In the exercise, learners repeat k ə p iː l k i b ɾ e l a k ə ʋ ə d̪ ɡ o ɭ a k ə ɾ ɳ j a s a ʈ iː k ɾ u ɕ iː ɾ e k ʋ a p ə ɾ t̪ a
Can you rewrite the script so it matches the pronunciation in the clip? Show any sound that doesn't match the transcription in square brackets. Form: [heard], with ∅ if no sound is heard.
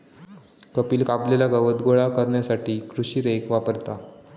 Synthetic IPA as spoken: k ə p iː l k [a] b [l] e l a [ɡ] ə ʋ ə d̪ ɡ o ɭ a k ə ɾ ɳ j a s a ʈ iː k ɾ u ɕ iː ɾ e k ʋ a p ə ɾ t̪ a